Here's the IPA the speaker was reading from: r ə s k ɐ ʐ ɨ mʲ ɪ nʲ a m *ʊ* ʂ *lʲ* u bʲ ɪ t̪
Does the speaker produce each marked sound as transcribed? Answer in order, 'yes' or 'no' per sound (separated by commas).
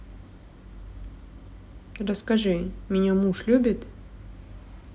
no, yes